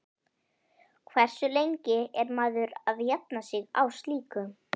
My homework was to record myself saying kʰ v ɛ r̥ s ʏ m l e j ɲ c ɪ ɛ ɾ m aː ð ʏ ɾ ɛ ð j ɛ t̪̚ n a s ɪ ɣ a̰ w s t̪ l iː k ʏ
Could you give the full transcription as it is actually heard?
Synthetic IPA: kʰ v ɛ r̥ s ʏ l e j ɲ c ɪ ɛ ɾ m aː ð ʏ ɾ a ð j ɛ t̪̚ n a s ɪ ɣ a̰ w s t̪ l iː k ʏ